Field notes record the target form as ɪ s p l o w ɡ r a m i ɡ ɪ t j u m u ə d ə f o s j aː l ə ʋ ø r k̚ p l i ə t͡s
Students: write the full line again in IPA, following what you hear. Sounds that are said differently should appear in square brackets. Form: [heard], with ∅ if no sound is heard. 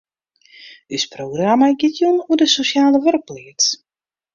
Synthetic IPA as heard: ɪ s p [r] o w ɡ r a m [a] ɡ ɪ t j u [n] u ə d ə [s] o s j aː l ə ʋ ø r k̚ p l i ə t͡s